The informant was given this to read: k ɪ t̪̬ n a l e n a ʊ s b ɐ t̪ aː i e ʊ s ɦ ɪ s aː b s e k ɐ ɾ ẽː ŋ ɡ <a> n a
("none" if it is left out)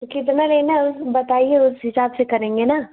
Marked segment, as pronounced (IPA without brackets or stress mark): e